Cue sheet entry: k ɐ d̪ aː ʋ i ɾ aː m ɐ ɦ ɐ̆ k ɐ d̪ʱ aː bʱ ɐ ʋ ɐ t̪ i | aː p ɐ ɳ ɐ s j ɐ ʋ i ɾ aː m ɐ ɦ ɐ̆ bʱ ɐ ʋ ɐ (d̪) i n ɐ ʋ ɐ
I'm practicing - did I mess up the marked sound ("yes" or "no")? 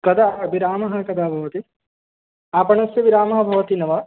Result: yes